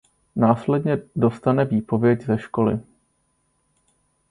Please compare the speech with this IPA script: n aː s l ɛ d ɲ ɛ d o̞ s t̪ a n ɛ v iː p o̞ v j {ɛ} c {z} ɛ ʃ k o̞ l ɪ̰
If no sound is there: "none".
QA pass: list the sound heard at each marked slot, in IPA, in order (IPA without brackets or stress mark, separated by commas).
ɛ, z